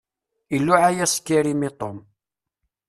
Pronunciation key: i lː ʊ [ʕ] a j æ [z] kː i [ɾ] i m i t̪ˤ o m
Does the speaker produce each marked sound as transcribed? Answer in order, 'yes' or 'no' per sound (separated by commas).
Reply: yes, no, yes